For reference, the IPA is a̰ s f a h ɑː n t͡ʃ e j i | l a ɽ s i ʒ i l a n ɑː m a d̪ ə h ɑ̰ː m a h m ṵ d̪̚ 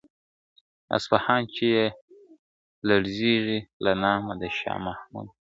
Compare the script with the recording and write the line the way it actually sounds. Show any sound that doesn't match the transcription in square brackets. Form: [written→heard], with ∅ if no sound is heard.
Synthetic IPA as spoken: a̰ s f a h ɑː n t͡ʃ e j [i→e] | l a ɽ [s→z] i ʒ i l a n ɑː m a d̪ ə [h→ʃ] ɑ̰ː m a h m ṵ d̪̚